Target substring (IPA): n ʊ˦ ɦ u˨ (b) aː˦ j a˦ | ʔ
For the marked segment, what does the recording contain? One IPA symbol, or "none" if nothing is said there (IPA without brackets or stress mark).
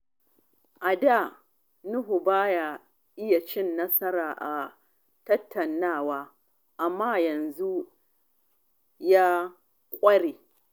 b